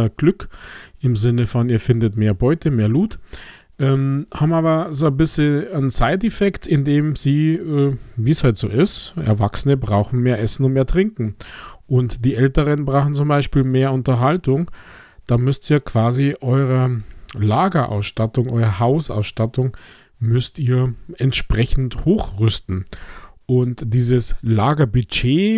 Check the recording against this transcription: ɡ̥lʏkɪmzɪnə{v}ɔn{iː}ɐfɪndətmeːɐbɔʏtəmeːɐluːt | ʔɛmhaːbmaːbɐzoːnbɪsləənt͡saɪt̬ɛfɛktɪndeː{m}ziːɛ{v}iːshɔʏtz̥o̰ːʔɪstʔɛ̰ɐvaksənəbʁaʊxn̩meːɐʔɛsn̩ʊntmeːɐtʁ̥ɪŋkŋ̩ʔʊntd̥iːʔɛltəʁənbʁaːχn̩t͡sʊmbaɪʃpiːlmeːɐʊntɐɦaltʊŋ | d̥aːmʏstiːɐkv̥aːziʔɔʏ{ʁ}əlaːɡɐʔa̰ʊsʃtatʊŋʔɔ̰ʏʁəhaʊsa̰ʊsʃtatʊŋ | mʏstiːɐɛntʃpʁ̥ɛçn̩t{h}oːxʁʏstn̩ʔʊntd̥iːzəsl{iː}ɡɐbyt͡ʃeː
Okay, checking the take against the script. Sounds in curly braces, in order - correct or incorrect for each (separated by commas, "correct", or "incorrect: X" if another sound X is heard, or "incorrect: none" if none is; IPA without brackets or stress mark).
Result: incorrect: f, correct, correct, correct, correct, correct, incorrect: aː